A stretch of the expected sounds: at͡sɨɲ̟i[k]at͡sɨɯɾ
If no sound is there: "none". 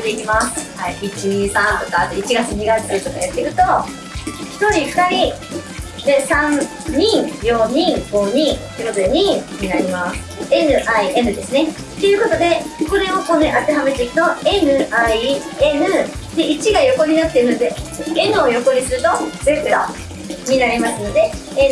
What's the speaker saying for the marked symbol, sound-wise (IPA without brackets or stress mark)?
ɡ